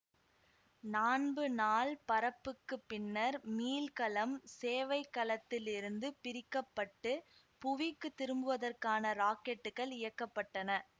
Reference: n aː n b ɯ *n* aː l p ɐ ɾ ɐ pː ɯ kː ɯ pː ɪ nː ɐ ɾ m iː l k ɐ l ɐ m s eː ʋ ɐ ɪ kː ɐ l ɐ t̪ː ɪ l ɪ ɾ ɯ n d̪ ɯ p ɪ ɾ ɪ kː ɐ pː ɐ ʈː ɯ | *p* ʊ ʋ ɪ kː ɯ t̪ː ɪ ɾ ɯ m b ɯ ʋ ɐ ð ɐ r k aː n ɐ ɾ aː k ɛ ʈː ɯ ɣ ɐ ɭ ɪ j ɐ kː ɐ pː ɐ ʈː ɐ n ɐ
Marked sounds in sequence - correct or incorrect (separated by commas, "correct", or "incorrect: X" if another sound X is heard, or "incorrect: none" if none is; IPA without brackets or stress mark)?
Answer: correct, correct